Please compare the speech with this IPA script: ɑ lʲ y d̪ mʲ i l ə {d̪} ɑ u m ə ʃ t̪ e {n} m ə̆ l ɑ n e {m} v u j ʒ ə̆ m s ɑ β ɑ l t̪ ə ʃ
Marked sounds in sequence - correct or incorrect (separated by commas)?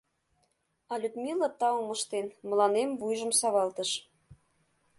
incorrect, correct, correct